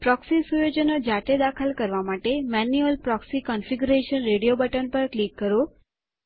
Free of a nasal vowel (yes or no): yes